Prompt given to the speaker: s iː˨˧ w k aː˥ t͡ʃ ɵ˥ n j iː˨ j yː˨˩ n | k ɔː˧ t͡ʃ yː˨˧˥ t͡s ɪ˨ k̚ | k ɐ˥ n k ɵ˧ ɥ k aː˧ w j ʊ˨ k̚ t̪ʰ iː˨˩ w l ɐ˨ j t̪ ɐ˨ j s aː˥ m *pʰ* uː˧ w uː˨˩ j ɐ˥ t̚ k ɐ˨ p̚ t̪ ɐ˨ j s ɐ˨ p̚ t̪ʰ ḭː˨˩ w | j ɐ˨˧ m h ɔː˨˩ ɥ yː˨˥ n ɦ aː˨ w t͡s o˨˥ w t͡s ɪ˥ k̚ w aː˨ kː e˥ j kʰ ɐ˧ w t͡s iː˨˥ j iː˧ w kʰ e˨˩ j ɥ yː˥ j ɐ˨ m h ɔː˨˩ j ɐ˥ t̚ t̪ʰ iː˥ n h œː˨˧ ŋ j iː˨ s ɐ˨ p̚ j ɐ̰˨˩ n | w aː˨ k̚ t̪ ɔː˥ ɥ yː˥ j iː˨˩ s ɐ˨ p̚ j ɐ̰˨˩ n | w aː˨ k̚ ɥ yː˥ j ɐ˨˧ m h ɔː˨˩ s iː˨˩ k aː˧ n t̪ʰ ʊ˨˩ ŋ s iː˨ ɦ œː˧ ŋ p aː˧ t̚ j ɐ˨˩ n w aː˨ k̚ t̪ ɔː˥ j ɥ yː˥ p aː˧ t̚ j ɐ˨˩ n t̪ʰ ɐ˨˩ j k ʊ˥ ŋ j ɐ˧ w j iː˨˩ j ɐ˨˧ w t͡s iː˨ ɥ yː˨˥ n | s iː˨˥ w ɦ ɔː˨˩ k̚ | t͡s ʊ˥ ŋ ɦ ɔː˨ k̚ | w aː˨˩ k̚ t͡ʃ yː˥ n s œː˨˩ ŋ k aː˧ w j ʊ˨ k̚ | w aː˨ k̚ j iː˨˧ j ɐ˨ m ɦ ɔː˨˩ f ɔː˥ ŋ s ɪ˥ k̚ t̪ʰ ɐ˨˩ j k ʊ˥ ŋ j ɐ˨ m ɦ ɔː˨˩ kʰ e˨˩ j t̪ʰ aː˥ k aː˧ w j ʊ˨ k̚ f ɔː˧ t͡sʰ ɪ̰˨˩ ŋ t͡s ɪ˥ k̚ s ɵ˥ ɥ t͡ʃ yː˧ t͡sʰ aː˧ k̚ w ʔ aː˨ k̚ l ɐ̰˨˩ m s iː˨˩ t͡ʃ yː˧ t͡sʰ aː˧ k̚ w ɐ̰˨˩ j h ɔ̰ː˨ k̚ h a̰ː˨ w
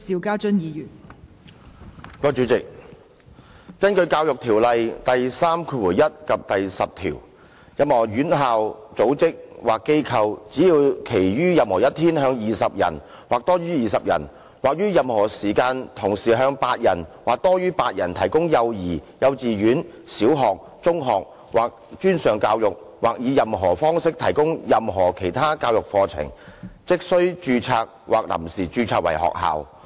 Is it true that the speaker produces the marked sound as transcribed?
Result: no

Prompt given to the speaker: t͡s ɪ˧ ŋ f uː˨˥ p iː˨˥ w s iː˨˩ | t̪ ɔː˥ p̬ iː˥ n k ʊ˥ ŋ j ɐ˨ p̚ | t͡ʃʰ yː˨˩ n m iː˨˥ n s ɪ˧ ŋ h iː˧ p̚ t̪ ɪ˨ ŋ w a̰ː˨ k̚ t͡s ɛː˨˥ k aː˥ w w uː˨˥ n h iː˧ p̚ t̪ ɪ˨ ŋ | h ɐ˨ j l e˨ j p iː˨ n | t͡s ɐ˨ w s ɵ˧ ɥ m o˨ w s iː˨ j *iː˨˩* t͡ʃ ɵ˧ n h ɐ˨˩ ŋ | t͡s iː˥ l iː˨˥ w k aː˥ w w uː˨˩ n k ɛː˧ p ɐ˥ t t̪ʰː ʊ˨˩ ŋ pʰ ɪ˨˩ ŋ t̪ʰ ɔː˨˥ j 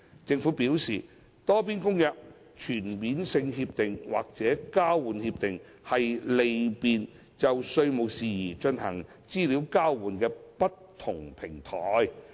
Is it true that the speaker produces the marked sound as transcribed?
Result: yes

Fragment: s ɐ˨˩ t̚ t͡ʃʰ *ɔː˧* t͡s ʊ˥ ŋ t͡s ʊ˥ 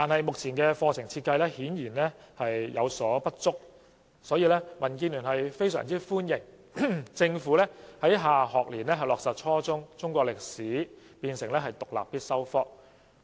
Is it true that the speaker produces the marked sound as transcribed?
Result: no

